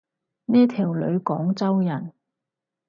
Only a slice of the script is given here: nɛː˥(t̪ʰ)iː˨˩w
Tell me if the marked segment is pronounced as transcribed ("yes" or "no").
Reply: yes